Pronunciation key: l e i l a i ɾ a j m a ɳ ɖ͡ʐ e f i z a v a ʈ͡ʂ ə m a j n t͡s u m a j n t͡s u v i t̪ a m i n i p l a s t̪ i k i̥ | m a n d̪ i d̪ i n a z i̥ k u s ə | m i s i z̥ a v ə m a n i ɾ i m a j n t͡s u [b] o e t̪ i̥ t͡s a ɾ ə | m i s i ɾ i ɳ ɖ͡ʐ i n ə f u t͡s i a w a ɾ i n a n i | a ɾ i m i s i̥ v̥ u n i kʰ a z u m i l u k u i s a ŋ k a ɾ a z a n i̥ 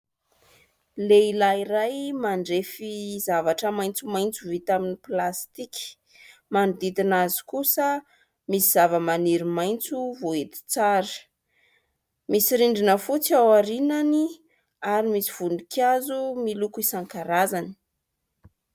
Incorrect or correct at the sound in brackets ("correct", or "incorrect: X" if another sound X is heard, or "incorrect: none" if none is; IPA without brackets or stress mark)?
incorrect: v